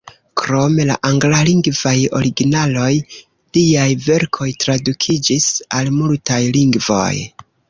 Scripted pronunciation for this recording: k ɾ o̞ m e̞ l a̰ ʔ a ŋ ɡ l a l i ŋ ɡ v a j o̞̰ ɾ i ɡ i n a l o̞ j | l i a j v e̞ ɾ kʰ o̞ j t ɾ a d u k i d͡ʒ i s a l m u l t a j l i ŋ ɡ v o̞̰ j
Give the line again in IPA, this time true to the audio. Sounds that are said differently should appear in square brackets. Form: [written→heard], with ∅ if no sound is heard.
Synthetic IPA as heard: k ɾ o̞ m e̞ l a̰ ʔ a ŋ ɡ l a l i ŋ ɡ v a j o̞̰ ɾ i ɡ i n a l o̞ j | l i a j v e̞ ɾ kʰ o̞ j t ɾ a d u [k→kʰ] i d͡ʒ i s a l m u l t a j l i ŋ ɡ v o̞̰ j